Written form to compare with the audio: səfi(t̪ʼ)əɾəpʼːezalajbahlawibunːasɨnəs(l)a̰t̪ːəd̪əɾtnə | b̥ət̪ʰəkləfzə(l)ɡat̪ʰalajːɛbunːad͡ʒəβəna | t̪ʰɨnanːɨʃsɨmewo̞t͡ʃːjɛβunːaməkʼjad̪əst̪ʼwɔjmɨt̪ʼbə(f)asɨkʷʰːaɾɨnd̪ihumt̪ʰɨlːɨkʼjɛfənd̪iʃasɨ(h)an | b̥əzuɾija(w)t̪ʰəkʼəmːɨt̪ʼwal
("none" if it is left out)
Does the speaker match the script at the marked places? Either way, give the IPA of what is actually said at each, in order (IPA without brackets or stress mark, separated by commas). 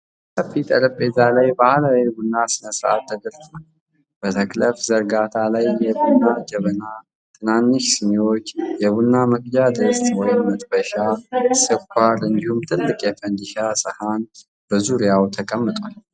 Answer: t̪ʼ, ɾ, ɾ, ʃ, h, w